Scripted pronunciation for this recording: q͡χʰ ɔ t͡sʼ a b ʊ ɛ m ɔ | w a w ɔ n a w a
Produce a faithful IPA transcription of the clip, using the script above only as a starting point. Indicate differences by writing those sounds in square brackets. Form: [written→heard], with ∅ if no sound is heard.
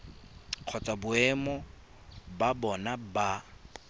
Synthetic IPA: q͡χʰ ɔ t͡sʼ a b ʊ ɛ m ɔ | [w→b] a [w→b] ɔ n a [w→b] a